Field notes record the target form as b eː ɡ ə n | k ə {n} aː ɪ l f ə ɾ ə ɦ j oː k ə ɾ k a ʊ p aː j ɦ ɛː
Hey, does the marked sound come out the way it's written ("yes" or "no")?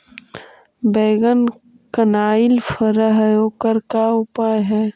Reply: yes